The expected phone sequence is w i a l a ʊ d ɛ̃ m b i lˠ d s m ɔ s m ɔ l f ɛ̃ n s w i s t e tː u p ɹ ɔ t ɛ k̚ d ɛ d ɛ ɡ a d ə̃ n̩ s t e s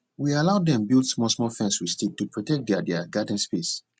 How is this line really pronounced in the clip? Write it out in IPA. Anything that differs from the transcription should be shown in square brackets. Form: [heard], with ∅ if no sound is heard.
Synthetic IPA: w i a l a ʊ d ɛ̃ m b i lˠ d s m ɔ s m ɔ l f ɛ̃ n s w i s t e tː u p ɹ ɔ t ɛ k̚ d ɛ d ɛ ɡ a d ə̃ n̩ s [p] e s